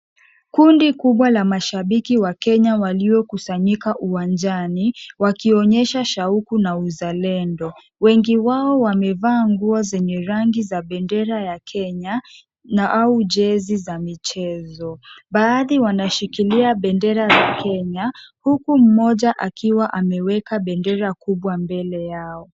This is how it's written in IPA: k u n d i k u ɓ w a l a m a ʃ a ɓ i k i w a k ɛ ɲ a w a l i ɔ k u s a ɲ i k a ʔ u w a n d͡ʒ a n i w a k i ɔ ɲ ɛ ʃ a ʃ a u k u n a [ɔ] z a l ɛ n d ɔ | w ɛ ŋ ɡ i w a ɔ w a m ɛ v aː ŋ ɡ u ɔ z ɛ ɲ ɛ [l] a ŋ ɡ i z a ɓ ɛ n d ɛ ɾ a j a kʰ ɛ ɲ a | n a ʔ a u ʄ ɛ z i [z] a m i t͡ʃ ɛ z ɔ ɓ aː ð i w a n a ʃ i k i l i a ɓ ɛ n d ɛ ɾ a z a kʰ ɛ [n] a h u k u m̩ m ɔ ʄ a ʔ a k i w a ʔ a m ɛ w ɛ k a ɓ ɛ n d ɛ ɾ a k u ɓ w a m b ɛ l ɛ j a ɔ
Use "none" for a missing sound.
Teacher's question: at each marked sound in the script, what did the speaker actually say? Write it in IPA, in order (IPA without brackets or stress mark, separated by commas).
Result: u, ɾ, z, ɲ